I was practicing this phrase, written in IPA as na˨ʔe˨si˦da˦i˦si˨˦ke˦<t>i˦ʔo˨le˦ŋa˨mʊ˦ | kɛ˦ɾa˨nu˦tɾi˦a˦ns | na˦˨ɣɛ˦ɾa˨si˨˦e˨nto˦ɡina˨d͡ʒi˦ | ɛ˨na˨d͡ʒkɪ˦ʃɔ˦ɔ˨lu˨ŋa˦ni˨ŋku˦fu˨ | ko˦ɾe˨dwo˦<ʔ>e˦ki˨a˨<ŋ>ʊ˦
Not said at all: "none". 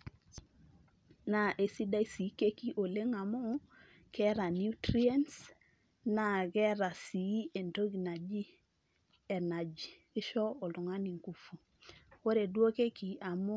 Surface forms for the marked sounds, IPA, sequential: k, k, m

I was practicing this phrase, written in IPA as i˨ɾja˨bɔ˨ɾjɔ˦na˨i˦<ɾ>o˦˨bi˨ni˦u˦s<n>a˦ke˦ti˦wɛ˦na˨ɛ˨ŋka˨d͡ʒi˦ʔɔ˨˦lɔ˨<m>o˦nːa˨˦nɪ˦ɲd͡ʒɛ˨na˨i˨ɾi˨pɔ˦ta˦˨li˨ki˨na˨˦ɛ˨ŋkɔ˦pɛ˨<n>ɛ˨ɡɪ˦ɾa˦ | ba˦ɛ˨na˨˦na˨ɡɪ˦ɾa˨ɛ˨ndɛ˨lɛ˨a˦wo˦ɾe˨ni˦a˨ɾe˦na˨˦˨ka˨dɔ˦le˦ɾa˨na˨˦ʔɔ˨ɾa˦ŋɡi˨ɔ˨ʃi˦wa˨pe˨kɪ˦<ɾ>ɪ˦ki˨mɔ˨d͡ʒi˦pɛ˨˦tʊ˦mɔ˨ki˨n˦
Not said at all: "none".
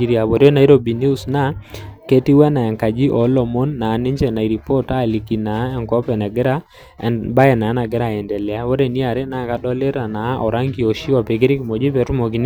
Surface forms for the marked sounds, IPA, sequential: ɾ, n, m, n, ɾ

